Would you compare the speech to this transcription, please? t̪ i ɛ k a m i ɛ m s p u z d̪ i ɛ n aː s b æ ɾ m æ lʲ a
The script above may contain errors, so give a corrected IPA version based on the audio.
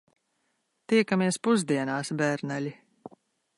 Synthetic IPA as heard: t̪ i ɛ k a m i ɛ s p u z d̪ i ɛ n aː s b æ ɾ n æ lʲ i